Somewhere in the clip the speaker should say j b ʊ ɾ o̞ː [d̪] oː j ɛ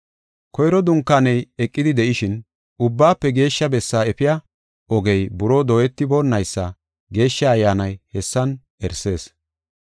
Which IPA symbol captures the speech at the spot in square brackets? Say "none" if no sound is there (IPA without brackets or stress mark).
d̪